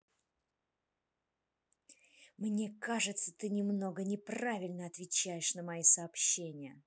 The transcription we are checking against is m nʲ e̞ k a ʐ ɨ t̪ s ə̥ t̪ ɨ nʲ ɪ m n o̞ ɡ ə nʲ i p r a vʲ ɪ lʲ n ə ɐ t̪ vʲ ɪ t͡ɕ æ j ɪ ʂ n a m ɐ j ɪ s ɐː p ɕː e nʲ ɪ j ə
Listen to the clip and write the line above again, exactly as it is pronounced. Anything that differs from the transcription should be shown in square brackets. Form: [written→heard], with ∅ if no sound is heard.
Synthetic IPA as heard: m nʲ e̞ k a ʐ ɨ t̪ s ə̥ t̪ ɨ nʲ ɪ m n o̞ ɡ ə nʲ [i→ɪ] p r a vʲ ɪ lʲ n ə ɐ t̪ vʲ ɪ t͡ɕ æ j ɪ ʂ n [a→ə] m ɐ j [ɪ→i] s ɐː p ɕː e nʲ ɪ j ə

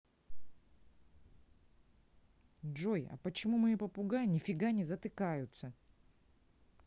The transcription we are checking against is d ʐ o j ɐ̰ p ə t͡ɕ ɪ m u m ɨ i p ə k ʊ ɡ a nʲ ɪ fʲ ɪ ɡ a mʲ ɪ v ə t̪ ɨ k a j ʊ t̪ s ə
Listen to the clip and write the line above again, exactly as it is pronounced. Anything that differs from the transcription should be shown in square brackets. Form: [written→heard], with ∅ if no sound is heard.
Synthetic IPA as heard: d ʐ o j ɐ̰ p ə t͡ɕ ɪ m u m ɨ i p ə [k→p] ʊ ɡ a nʲ ɪ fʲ ɪ ɡ a [mʲ→nʲ] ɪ [v→z] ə t̪ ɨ k a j ʊ t̪ s ə

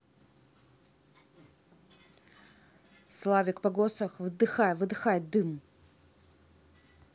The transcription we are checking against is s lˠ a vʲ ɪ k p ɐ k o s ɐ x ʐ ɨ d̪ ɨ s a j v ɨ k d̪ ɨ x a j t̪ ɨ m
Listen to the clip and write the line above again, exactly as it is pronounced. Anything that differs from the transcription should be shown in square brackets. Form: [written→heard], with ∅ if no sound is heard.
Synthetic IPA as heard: s lˠ a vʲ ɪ k p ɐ [k→ɡ] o s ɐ x [ʐ→v] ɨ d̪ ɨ [s→x] a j v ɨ [k→∅] d̪ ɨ x a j [t̪→d̪] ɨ m

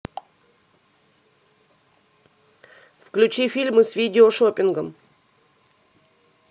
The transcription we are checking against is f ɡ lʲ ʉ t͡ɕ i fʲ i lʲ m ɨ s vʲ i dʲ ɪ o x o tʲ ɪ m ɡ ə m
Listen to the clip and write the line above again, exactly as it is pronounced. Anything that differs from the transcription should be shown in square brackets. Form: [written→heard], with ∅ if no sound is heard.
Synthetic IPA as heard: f [ɡ→k] lʲ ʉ t͡ɕ i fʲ i lʲ m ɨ s vʲ i dʲ ɪ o [x→ʂ] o [tʲ→pʲ] ɪ [m→n] ɡ ə m

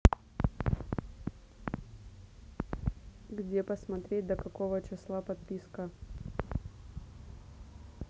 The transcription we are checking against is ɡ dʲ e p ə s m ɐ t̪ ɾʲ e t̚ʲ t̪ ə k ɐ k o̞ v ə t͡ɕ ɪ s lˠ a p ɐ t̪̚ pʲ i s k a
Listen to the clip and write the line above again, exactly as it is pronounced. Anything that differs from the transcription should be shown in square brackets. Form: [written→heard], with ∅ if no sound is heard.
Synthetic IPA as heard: ɡ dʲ e p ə s m ɐ t̪ ɾʲ e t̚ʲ [t̪→d̪] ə k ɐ k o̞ v ə t͡ɕ ɪ s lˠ a p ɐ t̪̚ pʲ i s k [a→ə]

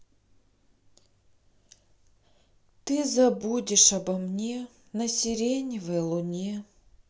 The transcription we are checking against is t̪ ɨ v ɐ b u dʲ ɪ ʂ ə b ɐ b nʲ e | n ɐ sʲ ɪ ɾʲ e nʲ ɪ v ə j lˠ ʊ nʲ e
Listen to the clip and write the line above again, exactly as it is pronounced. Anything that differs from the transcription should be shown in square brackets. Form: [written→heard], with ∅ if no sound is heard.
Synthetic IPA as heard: t̪ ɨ [v→z] ɐ b u dʲ ɪ ʂ [ə→ɐ] b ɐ [b→m] nʲ e | n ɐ sʲ ɪ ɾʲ e nʲ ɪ v ə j lˠ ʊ nʲ e

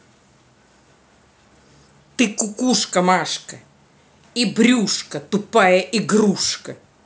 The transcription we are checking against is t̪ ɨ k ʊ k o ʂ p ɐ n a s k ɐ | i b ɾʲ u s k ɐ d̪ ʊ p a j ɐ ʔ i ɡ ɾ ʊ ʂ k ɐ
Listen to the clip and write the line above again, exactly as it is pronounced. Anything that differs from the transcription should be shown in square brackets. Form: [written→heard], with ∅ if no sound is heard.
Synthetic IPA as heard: t̪ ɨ k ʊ k [o→u] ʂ [p→k] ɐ [n→m] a [s→ʂ] k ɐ | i b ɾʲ u [s→ʂ] k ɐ [d̪→t̪] ʊ p a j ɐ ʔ i ɡ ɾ [ʊ→u] ʂ k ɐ

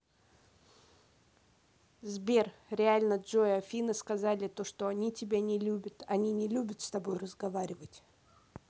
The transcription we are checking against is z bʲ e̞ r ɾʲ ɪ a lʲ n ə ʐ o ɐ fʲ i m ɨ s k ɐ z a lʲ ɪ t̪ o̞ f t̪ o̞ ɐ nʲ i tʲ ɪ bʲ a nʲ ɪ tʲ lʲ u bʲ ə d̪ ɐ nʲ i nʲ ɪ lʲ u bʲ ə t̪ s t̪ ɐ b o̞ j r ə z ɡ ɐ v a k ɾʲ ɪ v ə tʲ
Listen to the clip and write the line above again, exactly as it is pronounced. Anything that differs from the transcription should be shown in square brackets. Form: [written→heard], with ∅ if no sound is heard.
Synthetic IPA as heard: z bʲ e̞ r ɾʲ ɪ a lʲ n ə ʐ o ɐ fʲ i [m→n] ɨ s k ɐ z a lʲ ɪ t̪ o̞ [f→ʂ] t̪ o̞ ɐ nʲ i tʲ ɪ bʲ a nʲ ɪ [tʲ→∅] lʲ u bʲ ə [d̪→t̪] ɐ nʲ i nʲ ɪ lʲ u bʲ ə t̪ s t̪ ɐ b o̞ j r ə z ɡ ɐ v a [k→∅] ɾʲ ɪ v ə tʲ

